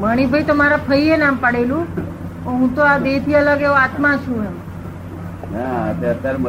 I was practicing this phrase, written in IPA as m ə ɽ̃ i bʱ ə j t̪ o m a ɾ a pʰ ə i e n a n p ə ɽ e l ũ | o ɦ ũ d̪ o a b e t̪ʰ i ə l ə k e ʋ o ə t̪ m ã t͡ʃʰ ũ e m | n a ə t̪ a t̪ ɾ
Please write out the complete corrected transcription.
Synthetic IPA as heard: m ə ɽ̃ i bʱ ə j t̪ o m a ɾ a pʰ ə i e n a m p ə ɽ e l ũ | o ɦ ũ t̪ o a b e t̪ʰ i ə l ə ɡ e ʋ o a t̪ m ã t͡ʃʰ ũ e m | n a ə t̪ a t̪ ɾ